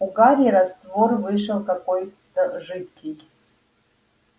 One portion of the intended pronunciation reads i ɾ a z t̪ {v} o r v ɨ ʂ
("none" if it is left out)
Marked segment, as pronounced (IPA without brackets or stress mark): v